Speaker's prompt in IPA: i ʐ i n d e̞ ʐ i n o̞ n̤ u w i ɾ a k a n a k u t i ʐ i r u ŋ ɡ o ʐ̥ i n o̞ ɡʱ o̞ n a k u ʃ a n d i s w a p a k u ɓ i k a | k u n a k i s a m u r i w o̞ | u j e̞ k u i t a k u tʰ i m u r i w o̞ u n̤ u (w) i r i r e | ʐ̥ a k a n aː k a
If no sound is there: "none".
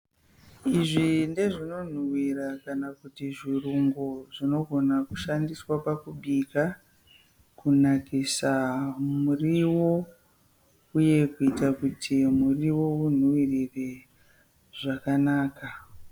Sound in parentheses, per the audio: w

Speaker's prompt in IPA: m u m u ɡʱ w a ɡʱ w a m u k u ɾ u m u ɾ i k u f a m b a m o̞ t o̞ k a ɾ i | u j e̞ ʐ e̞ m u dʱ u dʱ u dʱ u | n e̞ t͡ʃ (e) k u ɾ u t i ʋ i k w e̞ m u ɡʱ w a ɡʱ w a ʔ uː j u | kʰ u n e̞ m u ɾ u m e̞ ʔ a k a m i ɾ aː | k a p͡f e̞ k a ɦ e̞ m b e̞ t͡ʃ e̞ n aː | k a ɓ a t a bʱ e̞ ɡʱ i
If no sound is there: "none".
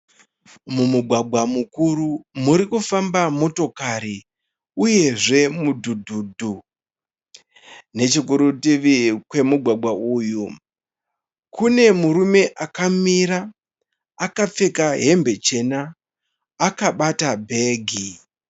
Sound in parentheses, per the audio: i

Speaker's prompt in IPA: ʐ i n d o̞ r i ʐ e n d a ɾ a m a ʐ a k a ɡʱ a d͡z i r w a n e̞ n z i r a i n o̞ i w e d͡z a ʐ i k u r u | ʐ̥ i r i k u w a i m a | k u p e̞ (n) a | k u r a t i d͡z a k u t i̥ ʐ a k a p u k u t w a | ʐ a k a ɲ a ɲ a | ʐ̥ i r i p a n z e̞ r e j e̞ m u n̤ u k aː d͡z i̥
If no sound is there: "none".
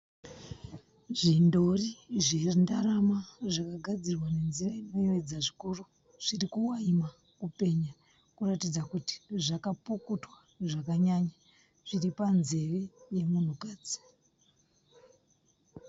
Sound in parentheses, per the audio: ɲ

